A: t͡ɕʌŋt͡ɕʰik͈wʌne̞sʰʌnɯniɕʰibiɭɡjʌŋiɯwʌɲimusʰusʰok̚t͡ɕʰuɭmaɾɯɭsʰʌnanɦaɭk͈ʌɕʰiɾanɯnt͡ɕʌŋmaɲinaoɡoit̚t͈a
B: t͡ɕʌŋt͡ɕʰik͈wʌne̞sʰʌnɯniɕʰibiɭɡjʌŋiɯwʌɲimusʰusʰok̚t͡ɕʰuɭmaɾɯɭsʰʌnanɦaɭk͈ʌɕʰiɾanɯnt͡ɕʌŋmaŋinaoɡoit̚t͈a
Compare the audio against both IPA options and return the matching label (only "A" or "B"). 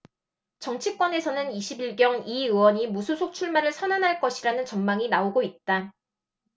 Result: B